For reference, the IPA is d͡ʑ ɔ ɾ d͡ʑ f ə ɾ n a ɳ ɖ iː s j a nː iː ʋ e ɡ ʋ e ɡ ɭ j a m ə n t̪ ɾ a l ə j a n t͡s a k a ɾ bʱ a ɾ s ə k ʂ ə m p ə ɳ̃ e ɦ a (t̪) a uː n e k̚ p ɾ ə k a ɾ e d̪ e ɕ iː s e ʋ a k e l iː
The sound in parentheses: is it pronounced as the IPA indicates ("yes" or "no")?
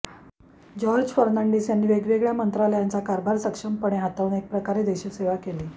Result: yes